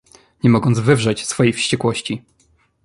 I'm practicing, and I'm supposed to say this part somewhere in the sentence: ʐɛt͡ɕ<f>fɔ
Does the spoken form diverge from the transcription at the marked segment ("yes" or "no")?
yes